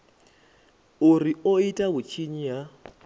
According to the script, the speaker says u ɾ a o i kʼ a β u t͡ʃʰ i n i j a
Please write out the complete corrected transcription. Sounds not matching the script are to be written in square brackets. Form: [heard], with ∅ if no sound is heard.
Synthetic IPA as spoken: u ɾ [i] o i [tʼ] a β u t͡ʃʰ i [ɲ] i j a